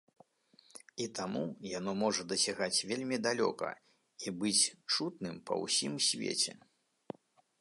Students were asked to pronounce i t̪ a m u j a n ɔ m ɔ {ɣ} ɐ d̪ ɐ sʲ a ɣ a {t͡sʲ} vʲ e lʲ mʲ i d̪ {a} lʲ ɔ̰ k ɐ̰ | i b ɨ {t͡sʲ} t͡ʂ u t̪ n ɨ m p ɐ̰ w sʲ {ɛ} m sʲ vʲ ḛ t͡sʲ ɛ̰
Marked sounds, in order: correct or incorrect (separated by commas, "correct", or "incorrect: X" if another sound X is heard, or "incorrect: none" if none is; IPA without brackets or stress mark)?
incorrect: ʐ, correct, correct, correct, incorrect: i